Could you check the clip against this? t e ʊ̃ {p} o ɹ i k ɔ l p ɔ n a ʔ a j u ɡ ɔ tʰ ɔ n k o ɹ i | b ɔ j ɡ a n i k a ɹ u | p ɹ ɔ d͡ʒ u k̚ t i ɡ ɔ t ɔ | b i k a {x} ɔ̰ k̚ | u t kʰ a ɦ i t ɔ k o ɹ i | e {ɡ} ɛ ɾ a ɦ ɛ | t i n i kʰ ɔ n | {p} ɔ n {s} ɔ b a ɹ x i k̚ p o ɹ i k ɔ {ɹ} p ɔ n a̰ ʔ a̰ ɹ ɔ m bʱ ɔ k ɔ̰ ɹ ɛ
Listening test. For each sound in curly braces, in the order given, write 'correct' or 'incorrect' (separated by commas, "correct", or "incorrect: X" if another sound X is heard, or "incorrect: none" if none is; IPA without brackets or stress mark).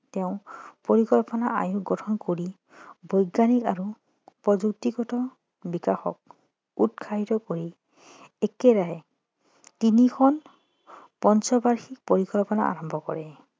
correct, correct, incorrect: k, correct, correct, incorrect: l